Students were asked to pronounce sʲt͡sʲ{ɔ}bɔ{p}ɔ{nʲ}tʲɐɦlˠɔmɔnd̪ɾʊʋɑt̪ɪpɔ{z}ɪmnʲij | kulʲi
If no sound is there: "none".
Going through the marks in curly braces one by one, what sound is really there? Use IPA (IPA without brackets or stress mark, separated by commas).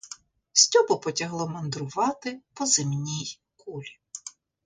ɔ, p, none, z